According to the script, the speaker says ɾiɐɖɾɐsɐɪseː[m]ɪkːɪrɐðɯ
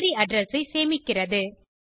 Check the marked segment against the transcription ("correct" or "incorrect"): correct